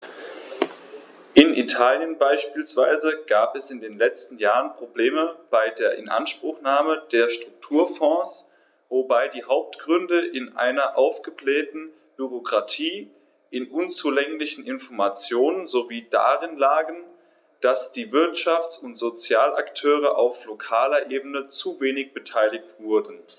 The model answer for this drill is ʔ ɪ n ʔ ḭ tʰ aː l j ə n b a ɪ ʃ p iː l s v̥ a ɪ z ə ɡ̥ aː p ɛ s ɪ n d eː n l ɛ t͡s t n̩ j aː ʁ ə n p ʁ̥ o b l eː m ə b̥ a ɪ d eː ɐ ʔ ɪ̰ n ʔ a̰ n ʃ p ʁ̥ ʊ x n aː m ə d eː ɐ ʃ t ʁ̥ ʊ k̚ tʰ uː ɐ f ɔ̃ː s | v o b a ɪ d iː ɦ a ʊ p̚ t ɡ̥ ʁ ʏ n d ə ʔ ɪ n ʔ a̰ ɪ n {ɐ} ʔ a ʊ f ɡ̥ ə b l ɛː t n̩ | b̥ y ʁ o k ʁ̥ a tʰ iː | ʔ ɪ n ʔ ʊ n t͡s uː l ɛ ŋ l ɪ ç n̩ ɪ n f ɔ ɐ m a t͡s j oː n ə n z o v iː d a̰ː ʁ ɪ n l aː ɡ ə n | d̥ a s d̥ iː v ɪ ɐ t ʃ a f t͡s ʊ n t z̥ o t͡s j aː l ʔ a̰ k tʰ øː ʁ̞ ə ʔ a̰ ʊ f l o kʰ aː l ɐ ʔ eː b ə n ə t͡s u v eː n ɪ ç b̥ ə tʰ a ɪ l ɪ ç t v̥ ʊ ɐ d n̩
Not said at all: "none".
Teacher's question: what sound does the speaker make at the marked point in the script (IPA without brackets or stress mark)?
ɐ